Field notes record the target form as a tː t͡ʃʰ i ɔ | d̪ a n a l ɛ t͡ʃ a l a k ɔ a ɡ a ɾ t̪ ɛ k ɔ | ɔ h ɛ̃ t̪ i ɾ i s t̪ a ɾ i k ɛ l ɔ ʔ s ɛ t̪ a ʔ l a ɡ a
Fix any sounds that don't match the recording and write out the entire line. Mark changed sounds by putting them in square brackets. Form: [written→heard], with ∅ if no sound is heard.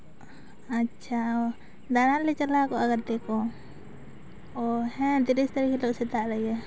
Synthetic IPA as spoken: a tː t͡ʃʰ [i→a] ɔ | d̪ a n a l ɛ t͡ʃ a l a k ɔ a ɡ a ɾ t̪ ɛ k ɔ | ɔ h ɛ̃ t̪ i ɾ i s t̪ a ɾ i k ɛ l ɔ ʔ s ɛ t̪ a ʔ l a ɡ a